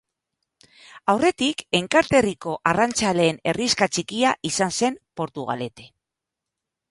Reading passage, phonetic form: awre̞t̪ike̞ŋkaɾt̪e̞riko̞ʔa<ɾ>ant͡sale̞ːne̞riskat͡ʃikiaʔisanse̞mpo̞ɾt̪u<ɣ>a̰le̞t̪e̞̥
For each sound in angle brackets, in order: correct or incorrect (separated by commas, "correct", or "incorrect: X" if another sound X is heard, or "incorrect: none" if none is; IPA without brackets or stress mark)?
incorrect: r, correct